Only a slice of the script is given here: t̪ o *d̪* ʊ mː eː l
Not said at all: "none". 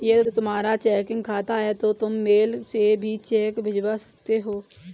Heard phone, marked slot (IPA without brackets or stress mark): t̪